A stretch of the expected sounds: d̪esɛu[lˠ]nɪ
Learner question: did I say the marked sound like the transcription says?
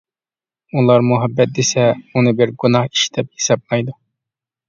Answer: no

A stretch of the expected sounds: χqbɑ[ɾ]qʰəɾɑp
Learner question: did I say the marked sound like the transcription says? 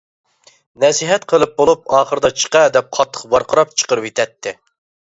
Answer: yes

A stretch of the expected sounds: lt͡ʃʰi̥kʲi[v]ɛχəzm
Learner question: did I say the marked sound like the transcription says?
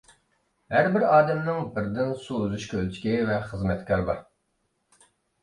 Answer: yes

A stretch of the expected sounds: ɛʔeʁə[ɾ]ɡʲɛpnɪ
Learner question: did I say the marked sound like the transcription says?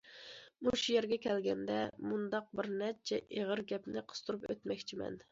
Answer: yes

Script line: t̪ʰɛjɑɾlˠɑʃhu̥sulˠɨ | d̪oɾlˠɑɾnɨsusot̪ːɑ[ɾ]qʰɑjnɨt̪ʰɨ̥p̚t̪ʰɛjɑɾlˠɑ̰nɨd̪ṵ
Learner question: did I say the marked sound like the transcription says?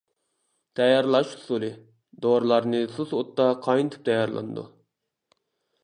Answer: no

